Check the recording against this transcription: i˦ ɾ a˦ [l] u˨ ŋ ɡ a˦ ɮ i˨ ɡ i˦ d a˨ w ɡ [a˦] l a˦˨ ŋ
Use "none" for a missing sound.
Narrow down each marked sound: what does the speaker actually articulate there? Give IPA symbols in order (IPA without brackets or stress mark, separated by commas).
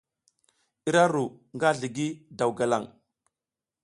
ɾ, a˨